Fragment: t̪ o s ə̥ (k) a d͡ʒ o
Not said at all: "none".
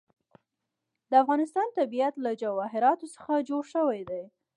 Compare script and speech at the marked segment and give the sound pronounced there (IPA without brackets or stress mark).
x